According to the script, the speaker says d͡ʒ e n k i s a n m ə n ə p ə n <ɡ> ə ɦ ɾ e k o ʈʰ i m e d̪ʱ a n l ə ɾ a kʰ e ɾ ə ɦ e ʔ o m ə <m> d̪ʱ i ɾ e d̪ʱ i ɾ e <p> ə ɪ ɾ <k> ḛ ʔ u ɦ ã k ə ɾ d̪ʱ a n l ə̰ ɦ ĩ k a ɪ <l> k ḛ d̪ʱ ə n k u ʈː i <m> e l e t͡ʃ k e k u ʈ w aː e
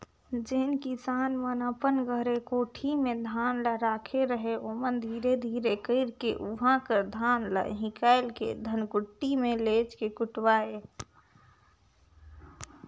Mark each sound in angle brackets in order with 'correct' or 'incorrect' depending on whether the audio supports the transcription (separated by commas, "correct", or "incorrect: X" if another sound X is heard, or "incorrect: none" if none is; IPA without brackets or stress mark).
correct, incorrect: n, incorrect: k, correct, correct, correct